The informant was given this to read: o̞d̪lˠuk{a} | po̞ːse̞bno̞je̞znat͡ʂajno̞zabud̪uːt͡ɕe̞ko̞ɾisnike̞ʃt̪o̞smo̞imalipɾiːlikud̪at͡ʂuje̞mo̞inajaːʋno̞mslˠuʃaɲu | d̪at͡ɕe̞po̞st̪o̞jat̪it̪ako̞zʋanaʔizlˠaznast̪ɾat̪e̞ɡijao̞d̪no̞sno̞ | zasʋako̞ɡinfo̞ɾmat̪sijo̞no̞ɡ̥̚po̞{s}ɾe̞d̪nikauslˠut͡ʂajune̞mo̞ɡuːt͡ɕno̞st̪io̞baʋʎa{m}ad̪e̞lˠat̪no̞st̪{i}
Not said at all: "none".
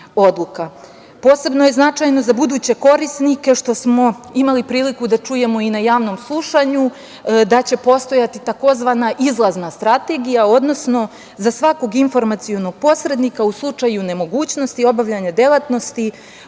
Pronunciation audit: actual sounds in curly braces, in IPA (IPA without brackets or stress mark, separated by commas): a, s, ɲ, i